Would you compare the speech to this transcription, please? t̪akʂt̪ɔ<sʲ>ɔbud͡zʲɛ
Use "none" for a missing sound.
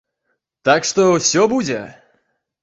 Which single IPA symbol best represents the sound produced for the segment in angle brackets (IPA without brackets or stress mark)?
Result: sʲ